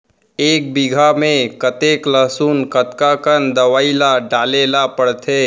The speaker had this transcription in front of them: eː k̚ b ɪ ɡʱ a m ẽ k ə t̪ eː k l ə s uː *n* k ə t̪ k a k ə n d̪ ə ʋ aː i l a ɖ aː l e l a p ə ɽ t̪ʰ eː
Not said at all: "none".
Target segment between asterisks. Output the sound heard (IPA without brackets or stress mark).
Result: n